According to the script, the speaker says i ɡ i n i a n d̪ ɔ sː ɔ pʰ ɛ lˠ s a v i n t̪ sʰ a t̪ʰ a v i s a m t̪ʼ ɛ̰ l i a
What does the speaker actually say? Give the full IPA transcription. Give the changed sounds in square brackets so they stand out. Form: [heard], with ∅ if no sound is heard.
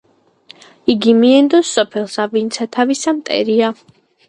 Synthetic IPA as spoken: i ɡ i [m] i [ɛ] n d̪ ɔ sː ɔ pʰ ɛ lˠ s a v i n t̪ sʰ a t̪ʰ a v i s a m t̪ʼ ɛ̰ [ɾ] i a